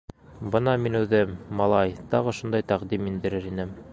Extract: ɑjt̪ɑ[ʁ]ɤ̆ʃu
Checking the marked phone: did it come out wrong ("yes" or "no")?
no